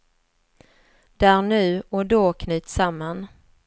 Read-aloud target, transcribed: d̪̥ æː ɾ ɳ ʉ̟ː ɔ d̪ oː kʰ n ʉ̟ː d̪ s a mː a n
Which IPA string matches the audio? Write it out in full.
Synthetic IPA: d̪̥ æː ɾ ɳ ʉ̟ː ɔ d̪ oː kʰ n ʉ̟ː t̪ s a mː a n